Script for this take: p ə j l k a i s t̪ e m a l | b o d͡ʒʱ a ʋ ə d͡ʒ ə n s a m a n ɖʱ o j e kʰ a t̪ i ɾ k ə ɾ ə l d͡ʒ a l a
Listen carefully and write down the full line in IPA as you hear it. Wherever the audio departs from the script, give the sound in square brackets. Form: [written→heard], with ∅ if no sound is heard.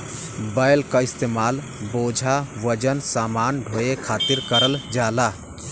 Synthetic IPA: [p→b] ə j l k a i s t̪ e m a l | b o d͡ʒʱ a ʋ ə d͡ʒ ə n s a m a n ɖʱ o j e kʰ a t̪ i ɾ k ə ɾ ə l d͡ʒ a l a